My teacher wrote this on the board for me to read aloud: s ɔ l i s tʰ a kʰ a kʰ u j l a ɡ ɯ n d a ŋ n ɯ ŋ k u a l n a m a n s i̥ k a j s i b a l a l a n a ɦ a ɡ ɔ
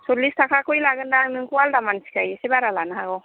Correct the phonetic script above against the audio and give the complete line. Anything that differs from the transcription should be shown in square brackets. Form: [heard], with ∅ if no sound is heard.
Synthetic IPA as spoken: s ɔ l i s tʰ a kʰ a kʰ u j l a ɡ ɯ n d a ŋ n ɯ ŋ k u a l [d] a m a n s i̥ k a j s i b a [ɾ] a l a n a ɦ a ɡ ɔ